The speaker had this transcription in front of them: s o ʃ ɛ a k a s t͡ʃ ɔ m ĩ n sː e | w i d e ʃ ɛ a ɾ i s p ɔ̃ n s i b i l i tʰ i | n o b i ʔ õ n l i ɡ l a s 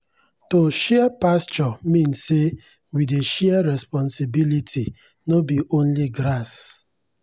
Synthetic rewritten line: t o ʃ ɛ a p a s t͡ʃ ɔ m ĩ n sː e | w i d e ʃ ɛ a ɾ ɛ s p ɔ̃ n s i b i l i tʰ i | n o b i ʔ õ n l i ɡ ɾ a s